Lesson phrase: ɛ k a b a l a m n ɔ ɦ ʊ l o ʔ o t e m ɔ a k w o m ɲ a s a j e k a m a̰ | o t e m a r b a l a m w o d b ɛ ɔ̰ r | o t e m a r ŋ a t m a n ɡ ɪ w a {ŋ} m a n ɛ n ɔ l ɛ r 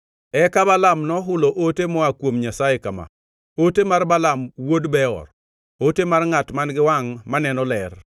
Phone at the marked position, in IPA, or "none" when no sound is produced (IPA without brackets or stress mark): ŋ